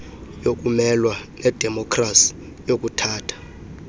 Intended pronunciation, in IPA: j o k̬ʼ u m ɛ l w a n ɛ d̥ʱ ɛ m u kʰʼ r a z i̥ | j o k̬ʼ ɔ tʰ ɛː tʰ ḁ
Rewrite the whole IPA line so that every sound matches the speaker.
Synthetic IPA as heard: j o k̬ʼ u m ɛ l w a n ɛ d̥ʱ ɛ m ɔ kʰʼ r a s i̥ | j o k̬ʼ u tʰ aː tʰ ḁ